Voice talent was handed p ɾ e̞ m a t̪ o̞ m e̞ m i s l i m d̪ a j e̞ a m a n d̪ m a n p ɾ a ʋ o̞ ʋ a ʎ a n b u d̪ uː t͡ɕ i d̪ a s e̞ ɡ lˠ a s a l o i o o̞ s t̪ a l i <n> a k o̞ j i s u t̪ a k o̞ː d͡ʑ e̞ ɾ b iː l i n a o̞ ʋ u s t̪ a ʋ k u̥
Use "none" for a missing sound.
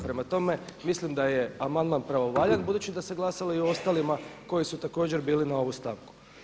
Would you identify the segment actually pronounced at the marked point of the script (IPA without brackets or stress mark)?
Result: m